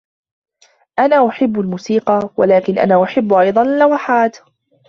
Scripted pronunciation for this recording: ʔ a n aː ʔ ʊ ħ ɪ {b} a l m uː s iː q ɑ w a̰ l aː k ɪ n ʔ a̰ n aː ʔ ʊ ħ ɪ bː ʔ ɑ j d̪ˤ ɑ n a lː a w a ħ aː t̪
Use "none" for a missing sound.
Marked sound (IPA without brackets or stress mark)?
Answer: bː